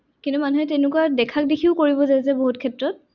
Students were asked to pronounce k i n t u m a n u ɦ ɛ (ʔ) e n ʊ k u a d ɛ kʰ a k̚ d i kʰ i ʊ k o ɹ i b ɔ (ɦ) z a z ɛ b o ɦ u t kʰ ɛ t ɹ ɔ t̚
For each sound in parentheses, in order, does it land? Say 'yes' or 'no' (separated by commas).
no, no